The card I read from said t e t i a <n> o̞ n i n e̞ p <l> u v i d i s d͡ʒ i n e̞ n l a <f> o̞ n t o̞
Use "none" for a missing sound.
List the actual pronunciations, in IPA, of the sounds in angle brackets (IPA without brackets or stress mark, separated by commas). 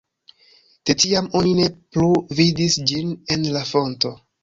m, l, f